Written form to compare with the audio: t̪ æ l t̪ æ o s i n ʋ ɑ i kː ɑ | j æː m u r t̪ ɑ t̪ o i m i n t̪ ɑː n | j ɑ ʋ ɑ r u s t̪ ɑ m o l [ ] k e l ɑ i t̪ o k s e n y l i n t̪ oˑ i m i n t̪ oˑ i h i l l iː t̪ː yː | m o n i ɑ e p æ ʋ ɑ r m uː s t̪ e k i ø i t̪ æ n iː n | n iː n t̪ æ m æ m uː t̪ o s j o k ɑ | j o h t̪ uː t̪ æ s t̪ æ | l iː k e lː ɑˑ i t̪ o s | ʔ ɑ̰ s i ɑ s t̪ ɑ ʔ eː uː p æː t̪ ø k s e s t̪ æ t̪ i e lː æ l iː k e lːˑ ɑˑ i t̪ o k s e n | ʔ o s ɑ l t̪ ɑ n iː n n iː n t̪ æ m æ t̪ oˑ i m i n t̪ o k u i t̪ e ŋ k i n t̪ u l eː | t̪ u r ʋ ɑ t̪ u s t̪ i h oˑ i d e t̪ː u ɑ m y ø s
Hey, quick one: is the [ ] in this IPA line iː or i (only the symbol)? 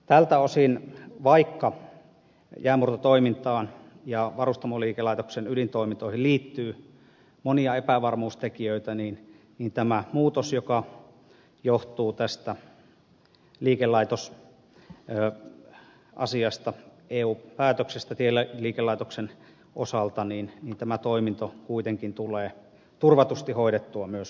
iː